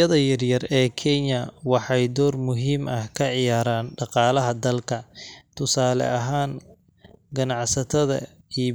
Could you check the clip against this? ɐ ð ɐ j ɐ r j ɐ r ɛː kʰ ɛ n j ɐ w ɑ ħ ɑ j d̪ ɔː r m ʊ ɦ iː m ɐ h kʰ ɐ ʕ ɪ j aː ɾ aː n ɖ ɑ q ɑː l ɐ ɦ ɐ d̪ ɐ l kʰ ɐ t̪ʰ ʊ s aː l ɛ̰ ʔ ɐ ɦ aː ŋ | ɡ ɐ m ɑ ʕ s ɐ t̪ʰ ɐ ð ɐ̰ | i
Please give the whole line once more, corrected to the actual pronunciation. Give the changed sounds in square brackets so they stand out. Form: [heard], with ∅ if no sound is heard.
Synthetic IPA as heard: ɐ ð ɐ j ɐ r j ɐ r ɛː kʰ ɛ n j ɐ w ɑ ħ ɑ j d̪ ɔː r m ʊ ɦ iː m ɐ h kʰ ɐ ʕ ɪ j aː ɾ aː n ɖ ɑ q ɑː l ɐ ɦ ɐ d̪ ɐ l kʰ ɐ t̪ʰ ʊ s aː l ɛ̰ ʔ ɐ ɦ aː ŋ | ɡ ɐ [n] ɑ ʕ s ɐ t̪ʰ ɐ ð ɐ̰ | i